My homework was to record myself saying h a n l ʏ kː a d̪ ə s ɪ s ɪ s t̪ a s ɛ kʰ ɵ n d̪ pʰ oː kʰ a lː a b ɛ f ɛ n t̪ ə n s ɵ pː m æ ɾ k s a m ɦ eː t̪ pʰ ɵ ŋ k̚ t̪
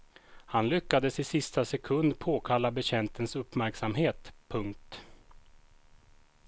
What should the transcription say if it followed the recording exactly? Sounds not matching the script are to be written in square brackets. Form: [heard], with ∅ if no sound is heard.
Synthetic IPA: h a n l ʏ kː a d̪ ə s ɪ s ɪ s t̪ a s ɛ kʰ ɵ n d̪ pʰ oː kʰ a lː a b ɛ [ɕ] ɛ n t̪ ə n s ɵ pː m æ ɾ k s a m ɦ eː t̪ pʰ ɵ ŋ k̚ t̪